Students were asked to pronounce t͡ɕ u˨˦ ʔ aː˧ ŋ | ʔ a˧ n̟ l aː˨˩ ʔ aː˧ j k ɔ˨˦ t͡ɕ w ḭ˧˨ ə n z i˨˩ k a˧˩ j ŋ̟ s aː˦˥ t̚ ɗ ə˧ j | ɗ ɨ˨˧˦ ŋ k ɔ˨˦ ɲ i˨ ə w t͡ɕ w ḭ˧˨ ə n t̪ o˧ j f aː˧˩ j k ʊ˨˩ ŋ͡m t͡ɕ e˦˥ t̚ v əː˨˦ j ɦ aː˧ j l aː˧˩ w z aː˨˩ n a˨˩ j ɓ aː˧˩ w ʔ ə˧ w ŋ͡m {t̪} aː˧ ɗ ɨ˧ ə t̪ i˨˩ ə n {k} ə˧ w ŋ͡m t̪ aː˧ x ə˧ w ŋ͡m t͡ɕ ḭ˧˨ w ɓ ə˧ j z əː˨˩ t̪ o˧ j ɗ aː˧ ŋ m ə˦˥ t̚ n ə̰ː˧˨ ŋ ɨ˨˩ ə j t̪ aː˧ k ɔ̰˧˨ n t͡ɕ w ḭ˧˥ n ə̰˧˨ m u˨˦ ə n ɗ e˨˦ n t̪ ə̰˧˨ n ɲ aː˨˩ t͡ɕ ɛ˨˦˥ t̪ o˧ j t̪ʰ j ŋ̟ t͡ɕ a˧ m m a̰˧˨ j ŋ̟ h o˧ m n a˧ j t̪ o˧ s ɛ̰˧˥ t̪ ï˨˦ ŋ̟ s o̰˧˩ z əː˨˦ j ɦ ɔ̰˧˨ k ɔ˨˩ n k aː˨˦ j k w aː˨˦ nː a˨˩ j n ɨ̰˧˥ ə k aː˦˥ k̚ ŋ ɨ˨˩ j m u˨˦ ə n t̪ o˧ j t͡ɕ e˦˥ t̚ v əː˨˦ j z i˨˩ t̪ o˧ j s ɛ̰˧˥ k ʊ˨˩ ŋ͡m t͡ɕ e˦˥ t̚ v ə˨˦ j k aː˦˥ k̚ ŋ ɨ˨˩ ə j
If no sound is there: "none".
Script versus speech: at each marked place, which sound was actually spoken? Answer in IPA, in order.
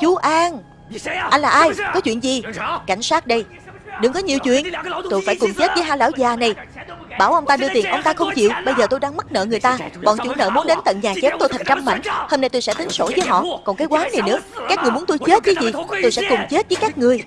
t̪, ʔ

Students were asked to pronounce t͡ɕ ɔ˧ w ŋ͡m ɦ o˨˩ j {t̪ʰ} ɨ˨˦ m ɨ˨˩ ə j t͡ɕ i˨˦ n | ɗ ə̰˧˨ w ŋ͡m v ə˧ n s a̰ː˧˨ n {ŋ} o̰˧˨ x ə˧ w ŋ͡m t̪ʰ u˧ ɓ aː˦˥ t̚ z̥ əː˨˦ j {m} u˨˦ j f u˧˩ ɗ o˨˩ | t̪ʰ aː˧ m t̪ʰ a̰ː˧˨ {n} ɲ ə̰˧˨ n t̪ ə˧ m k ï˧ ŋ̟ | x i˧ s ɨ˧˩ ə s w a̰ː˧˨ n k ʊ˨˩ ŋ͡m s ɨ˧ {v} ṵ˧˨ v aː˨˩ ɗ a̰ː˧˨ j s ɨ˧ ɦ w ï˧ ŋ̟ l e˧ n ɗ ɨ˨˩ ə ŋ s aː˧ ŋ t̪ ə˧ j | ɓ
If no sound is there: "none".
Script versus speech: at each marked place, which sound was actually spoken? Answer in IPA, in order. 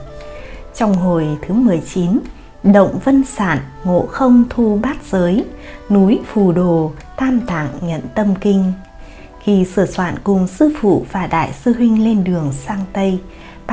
t̪ʰ, ŋ, n, ŋ, f

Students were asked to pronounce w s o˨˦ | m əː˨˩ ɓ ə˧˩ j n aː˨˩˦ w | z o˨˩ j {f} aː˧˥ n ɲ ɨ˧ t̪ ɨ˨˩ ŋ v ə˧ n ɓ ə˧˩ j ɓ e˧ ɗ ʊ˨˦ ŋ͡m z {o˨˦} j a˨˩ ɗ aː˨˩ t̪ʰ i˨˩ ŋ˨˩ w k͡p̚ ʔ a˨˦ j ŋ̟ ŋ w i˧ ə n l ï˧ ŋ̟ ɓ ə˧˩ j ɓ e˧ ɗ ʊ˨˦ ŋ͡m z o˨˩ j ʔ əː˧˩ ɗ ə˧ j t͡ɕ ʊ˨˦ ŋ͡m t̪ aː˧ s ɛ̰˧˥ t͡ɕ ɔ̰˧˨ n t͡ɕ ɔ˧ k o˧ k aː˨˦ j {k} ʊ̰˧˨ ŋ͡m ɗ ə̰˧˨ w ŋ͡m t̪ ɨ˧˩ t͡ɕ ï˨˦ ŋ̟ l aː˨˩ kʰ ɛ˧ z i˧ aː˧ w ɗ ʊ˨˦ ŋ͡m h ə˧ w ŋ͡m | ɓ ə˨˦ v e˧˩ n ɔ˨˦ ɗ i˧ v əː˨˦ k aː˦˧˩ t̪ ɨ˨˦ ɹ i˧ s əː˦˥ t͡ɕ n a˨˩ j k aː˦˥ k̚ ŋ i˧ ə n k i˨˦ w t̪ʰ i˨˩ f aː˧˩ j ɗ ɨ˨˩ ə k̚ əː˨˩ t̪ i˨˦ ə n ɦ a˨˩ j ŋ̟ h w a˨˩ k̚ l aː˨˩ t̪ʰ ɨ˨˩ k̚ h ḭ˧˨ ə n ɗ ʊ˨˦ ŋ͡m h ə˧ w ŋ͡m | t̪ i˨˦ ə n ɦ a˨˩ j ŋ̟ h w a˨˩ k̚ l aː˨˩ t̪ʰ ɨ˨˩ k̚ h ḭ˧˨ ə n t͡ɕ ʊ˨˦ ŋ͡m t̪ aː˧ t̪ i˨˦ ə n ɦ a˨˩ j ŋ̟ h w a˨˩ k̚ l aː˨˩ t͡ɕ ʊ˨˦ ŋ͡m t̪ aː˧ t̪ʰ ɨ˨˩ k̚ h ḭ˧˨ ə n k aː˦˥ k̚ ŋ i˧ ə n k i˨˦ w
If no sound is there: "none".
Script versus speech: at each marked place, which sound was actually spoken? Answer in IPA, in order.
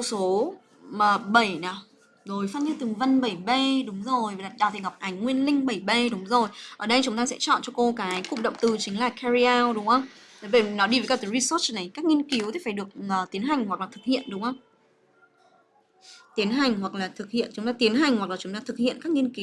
f, o˨˩, k

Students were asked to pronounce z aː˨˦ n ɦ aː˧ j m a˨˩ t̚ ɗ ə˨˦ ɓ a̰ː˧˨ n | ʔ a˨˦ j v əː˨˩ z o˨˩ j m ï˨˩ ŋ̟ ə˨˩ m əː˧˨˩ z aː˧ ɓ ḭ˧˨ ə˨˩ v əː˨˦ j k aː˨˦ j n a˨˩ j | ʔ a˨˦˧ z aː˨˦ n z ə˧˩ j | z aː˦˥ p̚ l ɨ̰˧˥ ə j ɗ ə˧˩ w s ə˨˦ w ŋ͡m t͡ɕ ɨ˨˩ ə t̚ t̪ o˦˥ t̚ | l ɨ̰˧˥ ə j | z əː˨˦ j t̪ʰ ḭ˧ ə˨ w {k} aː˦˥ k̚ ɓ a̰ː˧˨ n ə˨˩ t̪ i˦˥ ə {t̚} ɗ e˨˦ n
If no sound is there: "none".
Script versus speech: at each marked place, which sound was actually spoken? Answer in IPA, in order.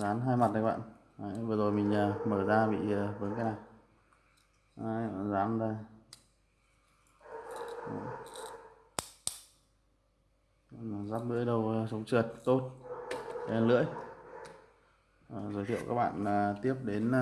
k, p̚

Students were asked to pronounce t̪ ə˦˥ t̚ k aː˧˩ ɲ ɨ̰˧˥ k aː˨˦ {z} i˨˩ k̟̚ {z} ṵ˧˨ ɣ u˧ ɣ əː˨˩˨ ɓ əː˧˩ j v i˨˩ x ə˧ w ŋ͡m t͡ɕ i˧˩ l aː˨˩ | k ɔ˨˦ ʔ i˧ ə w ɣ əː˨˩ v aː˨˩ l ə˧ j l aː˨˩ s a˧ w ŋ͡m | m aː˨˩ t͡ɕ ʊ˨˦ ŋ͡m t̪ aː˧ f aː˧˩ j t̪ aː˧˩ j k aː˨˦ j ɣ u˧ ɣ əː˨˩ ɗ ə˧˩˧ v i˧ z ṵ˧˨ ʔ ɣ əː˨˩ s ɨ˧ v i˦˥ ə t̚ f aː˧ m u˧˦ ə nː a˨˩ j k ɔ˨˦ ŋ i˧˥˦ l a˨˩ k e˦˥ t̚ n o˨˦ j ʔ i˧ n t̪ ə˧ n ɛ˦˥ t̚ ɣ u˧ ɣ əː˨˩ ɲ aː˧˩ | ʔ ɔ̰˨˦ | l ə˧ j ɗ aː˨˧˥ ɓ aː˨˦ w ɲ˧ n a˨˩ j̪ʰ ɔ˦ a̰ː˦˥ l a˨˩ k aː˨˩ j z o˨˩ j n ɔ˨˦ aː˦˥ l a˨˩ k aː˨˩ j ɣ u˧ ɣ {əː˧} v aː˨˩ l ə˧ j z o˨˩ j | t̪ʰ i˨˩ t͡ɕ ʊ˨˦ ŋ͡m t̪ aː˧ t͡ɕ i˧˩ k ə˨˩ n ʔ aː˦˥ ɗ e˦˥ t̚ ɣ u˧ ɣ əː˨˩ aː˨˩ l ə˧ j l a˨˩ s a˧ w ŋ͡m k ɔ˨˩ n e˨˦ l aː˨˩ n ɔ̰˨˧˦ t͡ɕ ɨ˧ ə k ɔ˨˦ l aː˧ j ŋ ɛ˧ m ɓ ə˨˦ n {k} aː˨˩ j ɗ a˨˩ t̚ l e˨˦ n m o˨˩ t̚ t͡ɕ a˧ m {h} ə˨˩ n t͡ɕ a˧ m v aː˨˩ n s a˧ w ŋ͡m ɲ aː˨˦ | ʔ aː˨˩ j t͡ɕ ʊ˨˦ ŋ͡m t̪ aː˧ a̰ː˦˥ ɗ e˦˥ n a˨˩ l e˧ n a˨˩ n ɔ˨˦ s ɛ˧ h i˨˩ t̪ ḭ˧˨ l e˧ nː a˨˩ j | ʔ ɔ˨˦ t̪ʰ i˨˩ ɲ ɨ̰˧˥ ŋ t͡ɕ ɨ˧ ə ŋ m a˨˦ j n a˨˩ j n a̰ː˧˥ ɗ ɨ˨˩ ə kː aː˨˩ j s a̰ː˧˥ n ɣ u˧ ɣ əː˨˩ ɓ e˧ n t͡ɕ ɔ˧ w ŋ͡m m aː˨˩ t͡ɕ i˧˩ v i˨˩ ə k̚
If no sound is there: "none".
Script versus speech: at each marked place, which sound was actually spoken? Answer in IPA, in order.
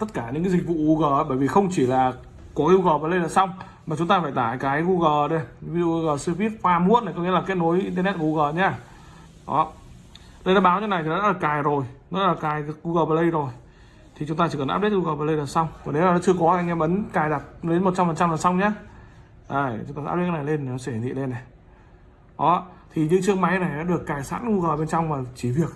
z, v, əː˨˩, k, f

